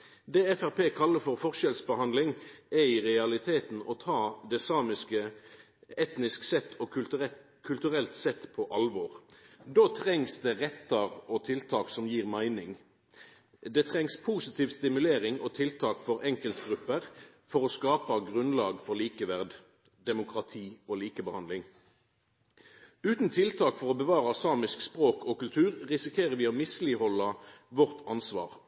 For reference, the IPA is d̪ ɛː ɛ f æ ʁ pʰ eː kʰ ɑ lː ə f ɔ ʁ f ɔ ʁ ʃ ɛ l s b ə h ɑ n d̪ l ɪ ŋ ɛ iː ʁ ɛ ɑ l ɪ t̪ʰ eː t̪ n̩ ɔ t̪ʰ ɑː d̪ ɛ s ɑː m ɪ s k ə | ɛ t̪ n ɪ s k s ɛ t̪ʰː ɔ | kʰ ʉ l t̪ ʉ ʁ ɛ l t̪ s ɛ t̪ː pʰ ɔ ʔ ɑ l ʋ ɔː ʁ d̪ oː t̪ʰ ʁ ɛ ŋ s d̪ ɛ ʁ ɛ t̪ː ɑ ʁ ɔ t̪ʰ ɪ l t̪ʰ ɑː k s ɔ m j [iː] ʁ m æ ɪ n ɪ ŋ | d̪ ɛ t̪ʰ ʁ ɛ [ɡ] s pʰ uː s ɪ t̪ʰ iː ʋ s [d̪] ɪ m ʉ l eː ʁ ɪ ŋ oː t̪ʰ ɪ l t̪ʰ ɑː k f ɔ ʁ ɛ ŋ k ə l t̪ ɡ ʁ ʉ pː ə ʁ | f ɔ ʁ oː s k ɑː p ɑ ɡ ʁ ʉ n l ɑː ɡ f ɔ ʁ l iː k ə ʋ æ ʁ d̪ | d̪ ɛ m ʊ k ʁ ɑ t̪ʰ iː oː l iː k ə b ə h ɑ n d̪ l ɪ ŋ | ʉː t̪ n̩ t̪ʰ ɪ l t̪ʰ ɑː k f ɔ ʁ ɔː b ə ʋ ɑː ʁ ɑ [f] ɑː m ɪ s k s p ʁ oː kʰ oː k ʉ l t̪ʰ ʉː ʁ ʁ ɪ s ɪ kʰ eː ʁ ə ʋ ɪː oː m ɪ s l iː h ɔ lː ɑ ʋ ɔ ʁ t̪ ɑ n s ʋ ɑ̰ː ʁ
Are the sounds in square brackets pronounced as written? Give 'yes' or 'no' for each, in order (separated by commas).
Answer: yes, no, no, no